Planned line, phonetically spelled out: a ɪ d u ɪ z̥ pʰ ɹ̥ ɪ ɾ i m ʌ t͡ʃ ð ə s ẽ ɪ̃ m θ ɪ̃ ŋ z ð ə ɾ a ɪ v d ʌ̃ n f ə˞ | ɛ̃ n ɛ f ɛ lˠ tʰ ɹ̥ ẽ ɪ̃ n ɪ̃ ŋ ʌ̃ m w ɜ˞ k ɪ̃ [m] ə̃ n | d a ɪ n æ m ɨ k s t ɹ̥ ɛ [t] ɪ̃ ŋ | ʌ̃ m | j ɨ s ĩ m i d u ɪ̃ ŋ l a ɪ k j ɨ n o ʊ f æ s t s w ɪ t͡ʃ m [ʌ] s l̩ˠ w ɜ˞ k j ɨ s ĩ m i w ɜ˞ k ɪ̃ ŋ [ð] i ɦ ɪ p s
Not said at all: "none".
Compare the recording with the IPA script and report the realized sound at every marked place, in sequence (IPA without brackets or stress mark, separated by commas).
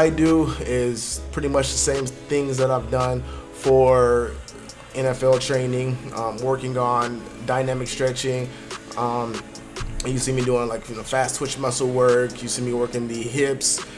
ŋ, t͡ʃ, ʌ, ð